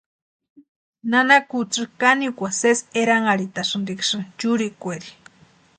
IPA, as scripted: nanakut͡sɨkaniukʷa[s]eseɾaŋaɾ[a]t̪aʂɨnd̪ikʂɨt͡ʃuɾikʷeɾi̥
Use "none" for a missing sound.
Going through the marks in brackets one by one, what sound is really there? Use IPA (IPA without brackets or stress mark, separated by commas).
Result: s, i